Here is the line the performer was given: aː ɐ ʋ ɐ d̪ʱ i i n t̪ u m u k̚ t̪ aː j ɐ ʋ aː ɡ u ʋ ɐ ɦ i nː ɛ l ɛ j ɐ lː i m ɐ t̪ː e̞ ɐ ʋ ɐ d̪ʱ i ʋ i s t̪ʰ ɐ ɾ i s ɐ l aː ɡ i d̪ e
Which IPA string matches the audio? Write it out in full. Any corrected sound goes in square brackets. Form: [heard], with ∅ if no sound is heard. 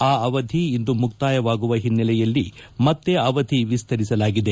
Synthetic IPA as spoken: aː ɐ ʋ ɐ d̪ʱ i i n [d̪] u m u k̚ t̪ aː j ɐ ʋ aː ɡ u ʋ ɐ ɦ i nː ɛ l ɛ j ɐ lː i m ɐ t̪ː e̞ ɐ ʋ ɐ d̪ʱ i ʋ i s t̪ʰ ɐ ɾ i s ɐ l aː ɡ i d̪ e